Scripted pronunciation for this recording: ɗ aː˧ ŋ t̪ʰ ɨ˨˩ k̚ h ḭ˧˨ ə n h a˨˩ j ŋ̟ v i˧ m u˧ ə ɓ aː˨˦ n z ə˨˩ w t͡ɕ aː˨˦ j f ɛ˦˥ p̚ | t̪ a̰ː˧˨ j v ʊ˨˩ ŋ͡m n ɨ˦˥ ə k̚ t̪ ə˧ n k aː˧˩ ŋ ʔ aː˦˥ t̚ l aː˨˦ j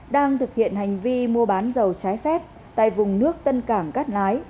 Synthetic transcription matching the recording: ɗ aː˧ ŋ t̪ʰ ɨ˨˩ k̚ h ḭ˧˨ ə n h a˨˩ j ŋ̟ v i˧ m u˧ ə ɓ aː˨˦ n z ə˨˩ w t͡ɕ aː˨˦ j f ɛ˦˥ p̚ | t̪ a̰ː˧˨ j v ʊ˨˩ ŋ͡m n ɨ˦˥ ə k̚ t̪ ə˧ n k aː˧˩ ŋ k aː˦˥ t̚ l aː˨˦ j